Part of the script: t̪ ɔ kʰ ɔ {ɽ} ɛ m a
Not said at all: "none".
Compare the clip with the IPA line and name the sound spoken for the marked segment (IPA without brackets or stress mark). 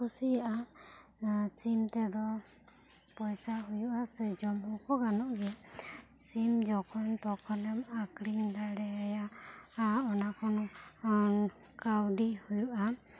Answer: l